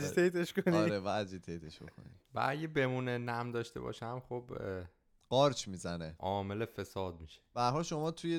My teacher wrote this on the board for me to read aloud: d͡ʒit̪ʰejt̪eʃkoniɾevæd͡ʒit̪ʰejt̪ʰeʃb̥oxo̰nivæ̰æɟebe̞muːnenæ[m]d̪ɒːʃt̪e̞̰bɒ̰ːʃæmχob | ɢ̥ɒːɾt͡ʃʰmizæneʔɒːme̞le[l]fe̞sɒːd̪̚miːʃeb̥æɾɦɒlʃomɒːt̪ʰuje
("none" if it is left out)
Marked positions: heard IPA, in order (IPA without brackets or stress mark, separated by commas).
m, none